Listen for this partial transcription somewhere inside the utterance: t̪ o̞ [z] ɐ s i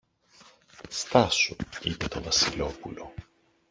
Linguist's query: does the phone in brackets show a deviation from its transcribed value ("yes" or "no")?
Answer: yes